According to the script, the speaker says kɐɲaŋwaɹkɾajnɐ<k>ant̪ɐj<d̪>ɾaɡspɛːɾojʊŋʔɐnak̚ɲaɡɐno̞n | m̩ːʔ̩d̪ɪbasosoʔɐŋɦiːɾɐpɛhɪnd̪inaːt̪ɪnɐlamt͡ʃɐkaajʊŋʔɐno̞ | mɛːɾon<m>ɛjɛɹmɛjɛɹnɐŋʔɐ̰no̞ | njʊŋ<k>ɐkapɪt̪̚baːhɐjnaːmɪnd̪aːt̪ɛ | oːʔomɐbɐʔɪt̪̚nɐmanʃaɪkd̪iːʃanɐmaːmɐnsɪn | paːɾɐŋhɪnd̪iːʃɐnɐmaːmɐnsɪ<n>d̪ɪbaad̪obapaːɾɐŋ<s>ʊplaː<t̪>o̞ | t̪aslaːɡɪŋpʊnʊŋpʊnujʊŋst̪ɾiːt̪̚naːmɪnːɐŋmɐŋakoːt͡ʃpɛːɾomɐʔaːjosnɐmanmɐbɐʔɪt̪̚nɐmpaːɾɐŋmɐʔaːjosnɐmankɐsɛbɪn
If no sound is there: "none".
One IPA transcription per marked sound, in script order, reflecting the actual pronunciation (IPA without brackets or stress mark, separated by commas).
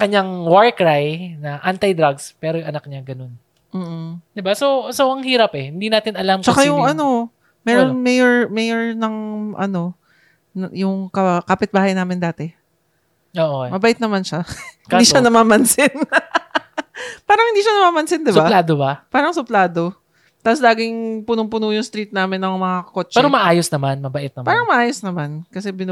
ʔ, d̪, m, k, n, s, d̪